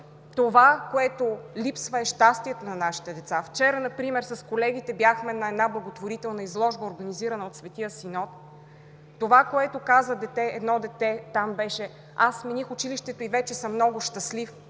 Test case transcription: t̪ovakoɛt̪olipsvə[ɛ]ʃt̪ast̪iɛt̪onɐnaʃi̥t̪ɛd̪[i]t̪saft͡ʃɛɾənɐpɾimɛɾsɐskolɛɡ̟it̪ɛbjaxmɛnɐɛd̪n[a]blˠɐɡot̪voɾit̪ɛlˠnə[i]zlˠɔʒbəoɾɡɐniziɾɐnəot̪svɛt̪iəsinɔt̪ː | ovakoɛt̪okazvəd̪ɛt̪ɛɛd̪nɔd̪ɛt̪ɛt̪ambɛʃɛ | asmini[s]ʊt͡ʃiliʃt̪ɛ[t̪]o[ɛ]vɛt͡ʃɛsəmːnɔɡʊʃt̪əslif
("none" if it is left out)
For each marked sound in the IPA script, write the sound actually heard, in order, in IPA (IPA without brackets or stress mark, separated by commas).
ɛ, ɛ, a, i, x, t̪, i